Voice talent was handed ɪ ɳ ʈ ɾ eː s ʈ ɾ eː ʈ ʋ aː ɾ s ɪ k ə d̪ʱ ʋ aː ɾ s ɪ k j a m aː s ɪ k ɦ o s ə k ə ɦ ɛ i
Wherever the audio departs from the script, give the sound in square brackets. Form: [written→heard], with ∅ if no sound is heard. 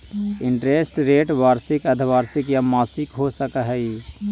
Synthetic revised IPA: ɪ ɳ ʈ ɾ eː s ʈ ɾ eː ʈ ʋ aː ɾ s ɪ k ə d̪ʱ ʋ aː ɾ s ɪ k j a m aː s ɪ k ɦ o s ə k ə ɦ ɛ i